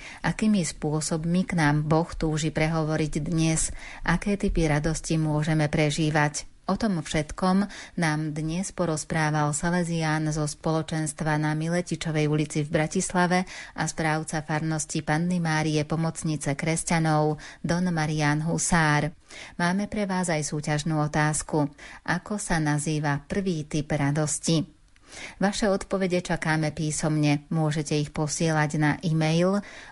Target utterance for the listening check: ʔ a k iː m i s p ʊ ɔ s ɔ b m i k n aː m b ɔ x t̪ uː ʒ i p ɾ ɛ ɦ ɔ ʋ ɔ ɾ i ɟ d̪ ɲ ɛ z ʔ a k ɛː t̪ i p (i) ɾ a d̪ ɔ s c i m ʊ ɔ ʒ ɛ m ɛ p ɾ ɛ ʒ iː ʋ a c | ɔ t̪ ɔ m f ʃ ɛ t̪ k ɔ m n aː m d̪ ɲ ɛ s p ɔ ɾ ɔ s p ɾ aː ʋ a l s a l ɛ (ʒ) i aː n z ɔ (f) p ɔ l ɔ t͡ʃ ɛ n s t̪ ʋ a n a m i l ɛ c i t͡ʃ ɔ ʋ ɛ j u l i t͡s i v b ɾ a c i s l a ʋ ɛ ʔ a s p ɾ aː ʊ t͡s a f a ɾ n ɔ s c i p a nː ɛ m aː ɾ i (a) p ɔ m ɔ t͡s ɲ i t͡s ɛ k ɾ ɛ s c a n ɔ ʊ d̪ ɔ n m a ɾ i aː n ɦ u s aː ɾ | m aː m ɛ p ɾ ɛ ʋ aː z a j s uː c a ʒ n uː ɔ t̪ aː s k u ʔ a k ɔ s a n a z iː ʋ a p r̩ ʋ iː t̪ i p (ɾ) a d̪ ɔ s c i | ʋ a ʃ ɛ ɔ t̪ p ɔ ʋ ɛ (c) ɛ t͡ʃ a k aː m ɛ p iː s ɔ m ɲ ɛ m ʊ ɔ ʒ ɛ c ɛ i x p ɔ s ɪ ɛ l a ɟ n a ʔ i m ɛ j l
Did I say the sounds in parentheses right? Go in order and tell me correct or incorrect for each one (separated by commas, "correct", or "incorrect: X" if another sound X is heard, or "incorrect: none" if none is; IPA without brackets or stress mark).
correct, incorrect: z, incorrect: s, incorrect: ɛ, correct, incorrect: ɟ